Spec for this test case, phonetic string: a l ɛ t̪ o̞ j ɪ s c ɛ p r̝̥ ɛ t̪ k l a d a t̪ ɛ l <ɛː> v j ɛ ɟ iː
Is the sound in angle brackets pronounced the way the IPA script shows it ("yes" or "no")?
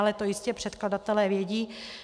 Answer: yes